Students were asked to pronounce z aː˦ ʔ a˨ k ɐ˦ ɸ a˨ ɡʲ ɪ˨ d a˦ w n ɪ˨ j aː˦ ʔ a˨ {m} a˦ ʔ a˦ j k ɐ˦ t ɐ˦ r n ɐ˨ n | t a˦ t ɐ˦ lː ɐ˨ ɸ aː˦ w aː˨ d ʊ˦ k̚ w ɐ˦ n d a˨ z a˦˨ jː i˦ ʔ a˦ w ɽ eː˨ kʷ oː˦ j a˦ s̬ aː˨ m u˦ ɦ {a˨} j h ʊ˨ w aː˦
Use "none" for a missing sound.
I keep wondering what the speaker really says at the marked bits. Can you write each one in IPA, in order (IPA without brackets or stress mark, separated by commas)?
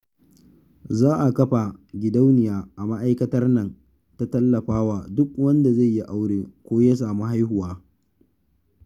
m, a˦